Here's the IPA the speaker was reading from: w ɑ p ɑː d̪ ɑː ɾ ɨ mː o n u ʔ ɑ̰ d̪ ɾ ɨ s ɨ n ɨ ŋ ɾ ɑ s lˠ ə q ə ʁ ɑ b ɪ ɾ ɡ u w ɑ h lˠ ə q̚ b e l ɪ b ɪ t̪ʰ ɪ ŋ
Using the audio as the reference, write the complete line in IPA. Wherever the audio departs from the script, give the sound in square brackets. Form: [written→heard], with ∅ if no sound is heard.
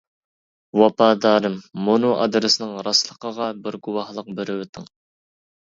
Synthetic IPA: w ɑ p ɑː d̪ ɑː ɾ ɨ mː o n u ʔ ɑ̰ d̪ ɾ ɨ s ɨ n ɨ ŋ ɾ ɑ s lˠ ə q ə ʁ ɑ b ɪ ɾ ɡ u w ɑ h lˠ ə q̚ b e [l→ɾ] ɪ [b→w] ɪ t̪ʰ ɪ ŋ